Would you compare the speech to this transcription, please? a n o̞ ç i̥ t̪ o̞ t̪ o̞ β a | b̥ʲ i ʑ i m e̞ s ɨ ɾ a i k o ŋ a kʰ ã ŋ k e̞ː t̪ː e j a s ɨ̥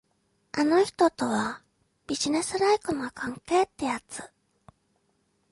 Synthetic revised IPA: a n o̞ ç i̥ t̪ o̞ t̪ o̞ β a | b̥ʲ i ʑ i n e̞ s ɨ ɾ a i k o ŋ a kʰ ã ŋ k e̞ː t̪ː e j a t͡s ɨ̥